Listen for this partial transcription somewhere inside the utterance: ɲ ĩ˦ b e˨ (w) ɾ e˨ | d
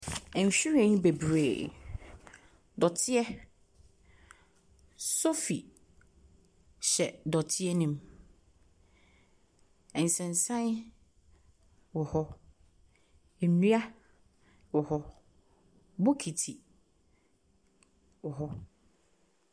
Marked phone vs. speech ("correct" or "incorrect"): incorrect